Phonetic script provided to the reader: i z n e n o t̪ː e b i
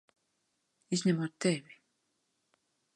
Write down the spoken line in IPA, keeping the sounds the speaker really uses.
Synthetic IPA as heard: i z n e m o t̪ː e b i